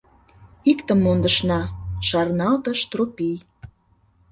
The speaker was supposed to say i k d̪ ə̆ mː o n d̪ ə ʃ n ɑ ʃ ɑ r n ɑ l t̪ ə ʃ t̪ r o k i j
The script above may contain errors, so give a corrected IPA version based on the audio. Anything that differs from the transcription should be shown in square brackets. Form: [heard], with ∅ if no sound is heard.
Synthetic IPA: i k [t̪] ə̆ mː o n d̪ ə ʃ n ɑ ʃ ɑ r n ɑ l t̪ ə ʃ t̪ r o [p] i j